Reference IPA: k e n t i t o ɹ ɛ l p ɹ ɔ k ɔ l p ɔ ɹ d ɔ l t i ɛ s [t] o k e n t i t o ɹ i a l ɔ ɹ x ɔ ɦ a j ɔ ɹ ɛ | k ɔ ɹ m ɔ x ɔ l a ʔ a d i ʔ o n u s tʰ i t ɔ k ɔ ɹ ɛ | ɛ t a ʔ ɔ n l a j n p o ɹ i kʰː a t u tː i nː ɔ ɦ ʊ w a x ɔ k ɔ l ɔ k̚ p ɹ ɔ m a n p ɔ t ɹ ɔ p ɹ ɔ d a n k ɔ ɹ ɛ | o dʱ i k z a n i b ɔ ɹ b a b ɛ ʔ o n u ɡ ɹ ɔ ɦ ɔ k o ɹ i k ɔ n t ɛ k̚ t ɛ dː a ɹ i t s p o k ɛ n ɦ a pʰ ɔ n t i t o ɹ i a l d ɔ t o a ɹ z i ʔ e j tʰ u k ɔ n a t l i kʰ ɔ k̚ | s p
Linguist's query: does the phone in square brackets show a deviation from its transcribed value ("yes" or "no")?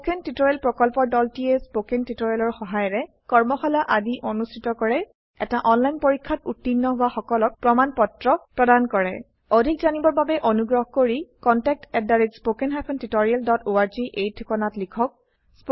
yes